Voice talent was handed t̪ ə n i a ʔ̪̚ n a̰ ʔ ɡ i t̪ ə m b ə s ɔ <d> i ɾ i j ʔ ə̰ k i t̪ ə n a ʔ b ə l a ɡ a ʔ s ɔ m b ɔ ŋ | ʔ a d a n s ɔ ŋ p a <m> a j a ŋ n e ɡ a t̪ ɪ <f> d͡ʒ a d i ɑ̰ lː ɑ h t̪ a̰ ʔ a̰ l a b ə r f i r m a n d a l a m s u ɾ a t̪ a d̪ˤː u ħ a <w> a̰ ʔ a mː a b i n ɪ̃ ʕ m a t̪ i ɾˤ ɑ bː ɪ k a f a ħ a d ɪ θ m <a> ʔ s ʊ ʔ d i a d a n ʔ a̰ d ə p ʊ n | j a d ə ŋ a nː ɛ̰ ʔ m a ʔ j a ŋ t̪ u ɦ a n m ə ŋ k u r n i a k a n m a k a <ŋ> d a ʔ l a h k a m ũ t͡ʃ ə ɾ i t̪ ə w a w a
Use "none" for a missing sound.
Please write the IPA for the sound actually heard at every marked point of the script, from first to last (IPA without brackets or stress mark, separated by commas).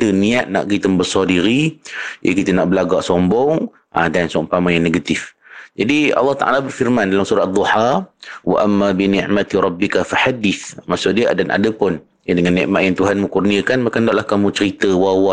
d, m, f, w, a, n